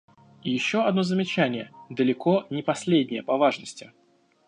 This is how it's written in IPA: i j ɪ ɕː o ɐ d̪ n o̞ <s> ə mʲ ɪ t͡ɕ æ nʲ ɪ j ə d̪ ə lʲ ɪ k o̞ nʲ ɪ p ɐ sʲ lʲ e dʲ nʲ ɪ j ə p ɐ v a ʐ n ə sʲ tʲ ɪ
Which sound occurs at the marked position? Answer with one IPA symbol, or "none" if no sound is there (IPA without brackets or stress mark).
z